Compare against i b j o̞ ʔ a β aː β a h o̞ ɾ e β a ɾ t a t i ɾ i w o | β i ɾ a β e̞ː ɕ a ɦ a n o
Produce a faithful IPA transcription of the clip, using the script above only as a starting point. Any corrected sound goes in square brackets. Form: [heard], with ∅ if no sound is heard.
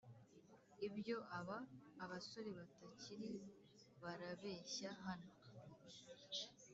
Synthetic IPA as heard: i b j o̞ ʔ a β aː β a [s] o̞ ɾ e β a [∅] t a [c] i ɾ i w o | β [a] ɾ a β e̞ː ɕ a ɦ a n o